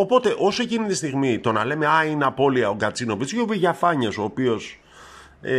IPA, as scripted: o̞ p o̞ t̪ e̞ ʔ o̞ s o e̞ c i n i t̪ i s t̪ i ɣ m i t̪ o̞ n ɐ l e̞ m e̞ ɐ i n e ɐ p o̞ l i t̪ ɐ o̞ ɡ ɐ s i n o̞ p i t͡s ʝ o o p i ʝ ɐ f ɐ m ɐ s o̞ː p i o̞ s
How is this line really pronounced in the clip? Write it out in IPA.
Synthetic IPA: o̞ p o̞ t̪ e̞ ʔ o̞ s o e̞ c i n i t̪ i s t̪ i ɣ m i t̪ o̞ n ɐ l e̞ m e̞ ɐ i n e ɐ p o̞ l i ɐ o̞ ɡ ɐ t͡s i n o̞ p i t͡s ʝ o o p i ʝ ɐ f ɐ ɲ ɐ s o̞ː p i o̞ s